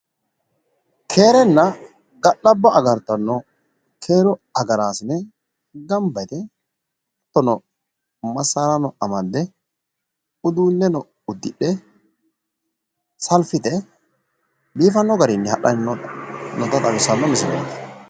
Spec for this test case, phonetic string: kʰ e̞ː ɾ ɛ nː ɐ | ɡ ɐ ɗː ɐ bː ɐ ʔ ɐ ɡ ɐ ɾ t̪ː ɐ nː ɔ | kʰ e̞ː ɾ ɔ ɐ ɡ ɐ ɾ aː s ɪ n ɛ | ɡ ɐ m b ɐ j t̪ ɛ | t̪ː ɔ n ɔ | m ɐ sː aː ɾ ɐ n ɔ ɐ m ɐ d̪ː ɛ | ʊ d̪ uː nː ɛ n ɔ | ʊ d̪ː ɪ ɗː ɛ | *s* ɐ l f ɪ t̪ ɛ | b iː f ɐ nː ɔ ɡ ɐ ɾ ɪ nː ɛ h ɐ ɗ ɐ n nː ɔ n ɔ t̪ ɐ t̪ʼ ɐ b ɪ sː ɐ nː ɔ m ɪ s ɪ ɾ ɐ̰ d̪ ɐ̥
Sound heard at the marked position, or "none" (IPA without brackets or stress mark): s